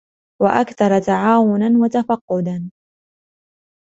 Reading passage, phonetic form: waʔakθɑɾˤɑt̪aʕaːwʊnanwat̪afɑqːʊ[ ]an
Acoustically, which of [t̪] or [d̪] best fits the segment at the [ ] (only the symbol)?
d̪